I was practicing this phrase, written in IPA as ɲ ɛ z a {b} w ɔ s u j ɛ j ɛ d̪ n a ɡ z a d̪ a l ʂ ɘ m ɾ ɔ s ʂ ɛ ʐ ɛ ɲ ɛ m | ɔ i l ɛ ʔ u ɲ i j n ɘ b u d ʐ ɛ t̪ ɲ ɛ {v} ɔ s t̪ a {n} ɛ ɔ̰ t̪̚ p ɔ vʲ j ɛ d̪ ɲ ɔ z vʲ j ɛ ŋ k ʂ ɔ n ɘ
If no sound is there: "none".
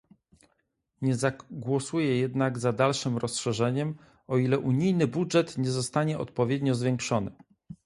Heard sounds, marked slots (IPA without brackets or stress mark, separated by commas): ɡ, z, ɲ